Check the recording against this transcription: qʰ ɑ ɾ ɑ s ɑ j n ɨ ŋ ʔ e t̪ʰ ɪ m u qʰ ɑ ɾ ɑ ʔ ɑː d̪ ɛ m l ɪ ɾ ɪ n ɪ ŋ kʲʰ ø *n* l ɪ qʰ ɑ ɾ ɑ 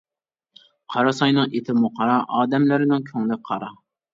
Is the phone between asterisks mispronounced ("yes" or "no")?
yes